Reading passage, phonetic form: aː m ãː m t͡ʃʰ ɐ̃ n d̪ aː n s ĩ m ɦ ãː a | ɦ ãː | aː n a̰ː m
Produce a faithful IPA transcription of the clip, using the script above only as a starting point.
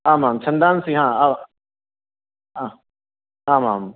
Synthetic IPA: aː m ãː m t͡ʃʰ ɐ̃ n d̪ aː n s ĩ ɦ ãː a | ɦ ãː | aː m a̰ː m